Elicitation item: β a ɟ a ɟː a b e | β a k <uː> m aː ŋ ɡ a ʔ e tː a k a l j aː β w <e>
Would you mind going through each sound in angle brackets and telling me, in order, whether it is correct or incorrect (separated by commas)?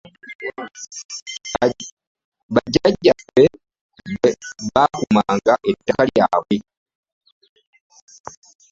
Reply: incorrect, correct